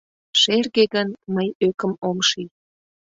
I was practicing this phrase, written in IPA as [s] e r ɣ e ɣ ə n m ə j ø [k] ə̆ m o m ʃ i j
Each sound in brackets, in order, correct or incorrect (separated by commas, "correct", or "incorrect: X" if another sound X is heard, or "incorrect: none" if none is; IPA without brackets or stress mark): incorrect: ʃ, correct